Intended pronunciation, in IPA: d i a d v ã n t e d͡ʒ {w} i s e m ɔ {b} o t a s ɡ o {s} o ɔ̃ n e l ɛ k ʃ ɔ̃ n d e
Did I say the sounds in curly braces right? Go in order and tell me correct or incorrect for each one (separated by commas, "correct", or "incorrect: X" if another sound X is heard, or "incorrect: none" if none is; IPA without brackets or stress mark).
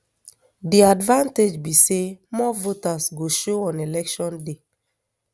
incorrect: b, incorrect: v, incorrect: ʃ